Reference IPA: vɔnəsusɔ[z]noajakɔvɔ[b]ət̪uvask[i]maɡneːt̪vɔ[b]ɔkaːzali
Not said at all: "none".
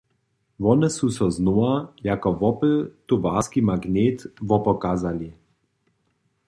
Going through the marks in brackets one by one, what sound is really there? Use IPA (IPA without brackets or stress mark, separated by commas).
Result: z, p, i, p